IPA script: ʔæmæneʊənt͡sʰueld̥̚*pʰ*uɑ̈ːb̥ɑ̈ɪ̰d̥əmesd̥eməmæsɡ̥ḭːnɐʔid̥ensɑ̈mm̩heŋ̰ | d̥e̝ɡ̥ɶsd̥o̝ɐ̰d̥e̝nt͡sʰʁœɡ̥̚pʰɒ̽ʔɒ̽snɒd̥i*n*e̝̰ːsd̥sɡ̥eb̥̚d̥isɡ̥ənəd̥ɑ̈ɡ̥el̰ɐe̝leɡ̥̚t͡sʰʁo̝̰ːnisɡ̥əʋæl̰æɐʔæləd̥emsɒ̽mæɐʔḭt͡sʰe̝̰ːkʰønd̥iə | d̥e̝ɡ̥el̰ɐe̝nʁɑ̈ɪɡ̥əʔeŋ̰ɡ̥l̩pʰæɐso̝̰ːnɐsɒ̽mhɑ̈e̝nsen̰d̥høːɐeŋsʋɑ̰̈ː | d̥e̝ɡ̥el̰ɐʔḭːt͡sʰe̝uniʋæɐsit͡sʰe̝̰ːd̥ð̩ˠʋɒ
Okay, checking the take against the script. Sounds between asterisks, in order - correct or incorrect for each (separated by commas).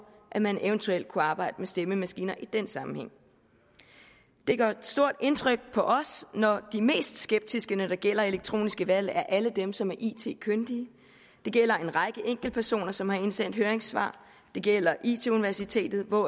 incorrect, incorrect